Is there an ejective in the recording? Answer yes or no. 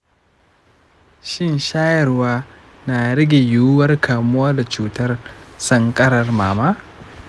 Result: yes